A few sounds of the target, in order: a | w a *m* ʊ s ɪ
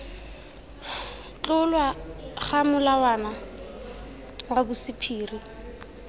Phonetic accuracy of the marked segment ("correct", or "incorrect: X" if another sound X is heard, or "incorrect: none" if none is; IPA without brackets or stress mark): incorrect: b